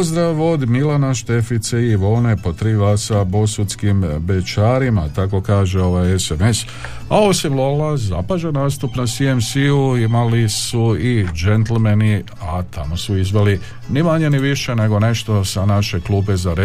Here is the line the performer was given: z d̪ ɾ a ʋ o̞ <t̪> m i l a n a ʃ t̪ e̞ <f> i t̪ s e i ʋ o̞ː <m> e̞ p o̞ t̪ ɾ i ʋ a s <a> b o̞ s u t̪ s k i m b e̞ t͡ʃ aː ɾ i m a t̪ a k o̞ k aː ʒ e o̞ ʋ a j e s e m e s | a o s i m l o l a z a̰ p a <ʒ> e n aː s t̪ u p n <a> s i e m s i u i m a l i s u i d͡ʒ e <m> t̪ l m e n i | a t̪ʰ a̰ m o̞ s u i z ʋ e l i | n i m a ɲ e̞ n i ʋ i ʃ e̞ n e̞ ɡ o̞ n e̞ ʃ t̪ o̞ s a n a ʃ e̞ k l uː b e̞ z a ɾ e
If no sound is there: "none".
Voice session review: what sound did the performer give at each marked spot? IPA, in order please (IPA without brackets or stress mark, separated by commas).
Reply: d̪, f, n, a, ʒ, a, n